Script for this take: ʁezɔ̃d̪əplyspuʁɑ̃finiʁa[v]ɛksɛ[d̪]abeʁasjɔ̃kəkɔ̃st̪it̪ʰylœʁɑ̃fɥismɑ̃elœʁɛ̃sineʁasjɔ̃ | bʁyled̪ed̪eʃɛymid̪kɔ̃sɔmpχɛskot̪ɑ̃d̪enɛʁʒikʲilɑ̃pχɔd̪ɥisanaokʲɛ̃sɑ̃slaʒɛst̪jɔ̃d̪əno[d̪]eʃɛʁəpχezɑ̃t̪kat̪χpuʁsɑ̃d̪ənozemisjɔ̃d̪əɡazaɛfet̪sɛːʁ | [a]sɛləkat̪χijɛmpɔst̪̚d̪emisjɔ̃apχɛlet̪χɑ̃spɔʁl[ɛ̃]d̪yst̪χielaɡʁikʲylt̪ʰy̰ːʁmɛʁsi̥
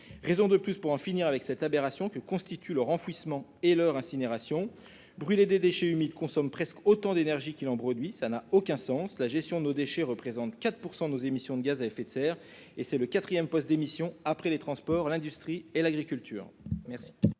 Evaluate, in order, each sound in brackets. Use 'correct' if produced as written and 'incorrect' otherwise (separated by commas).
correct, incorrect, correct, incorrect, correct